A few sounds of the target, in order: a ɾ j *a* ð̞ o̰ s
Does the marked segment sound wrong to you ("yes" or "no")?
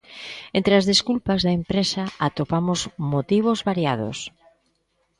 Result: no